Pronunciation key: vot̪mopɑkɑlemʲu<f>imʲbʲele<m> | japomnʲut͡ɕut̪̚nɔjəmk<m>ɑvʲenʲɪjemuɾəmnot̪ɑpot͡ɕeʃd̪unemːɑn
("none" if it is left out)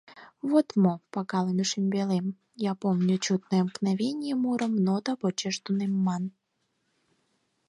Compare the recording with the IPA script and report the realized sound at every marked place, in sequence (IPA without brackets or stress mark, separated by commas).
ʃ, m, n